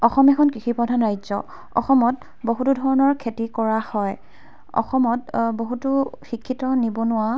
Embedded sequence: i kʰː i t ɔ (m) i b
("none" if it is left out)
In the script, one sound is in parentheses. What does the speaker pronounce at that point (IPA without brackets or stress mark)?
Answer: n